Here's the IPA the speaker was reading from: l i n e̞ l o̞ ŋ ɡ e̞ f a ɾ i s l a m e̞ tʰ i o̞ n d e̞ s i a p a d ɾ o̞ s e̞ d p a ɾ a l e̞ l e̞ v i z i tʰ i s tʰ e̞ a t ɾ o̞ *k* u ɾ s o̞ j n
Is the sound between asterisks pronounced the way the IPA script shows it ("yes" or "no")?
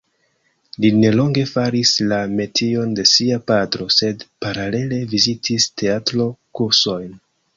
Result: yes